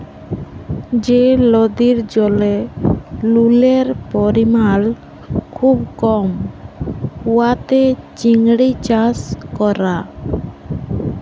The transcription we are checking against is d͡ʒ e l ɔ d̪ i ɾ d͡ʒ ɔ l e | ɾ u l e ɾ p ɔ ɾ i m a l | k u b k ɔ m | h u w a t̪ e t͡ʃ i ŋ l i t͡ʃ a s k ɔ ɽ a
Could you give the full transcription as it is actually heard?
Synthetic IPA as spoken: d͡ʒ e l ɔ d̪ i ɾ d͡ʒ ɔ l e | l u l e ɾ p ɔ ɾ i m a l | kʰ u b k ɔ m | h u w a t̪ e t͡ʃ i ŋ ɽ i t͡ʃ a s k ɔ ɾ a